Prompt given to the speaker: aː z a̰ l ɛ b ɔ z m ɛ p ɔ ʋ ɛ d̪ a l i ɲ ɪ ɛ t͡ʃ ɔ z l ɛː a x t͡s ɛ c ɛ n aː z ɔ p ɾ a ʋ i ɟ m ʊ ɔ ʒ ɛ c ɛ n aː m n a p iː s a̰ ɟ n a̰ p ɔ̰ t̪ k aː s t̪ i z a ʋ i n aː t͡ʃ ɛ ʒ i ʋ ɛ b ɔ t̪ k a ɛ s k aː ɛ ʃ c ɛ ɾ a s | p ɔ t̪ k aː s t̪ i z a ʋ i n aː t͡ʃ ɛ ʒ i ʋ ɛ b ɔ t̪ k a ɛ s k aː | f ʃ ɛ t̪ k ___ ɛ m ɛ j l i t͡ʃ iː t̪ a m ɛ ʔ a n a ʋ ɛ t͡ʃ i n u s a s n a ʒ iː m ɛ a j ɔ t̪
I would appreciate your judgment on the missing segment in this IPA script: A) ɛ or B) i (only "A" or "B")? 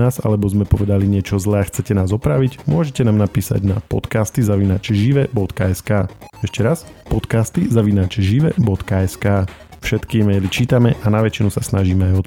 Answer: B